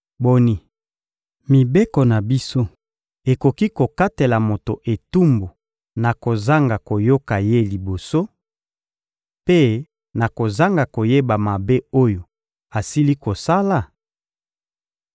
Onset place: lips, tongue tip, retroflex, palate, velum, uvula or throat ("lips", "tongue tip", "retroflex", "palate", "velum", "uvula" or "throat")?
lips